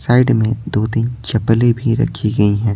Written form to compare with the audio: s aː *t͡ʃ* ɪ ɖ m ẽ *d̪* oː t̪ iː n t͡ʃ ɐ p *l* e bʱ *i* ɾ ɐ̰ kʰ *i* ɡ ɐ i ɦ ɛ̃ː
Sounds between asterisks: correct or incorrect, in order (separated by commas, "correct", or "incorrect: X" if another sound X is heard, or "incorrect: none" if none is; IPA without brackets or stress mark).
incorrect: none, correct, correct, correct, correct